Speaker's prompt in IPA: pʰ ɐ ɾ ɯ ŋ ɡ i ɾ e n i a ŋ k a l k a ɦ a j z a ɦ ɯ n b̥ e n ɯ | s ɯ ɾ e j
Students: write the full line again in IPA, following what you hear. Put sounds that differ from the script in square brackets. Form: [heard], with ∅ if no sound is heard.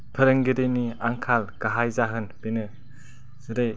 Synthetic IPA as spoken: pʰ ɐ ɾ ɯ ŋ ɡ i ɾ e n i a ŋ [kʰ] a l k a ɦ a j z a ɦ ɯ n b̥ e n ɯ | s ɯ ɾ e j